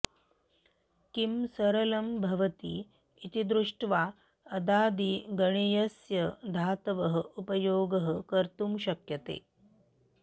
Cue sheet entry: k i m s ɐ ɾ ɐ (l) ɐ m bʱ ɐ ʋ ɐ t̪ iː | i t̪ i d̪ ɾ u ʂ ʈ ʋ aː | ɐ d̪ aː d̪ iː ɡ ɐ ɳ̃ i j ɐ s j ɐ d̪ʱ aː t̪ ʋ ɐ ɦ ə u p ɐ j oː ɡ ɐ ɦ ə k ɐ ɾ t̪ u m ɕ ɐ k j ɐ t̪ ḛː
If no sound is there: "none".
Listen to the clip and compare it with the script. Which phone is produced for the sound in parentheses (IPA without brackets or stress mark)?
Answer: l